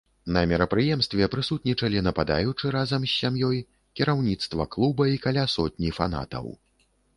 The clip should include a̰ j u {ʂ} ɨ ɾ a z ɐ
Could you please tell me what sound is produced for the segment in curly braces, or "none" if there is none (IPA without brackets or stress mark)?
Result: t͡ʂ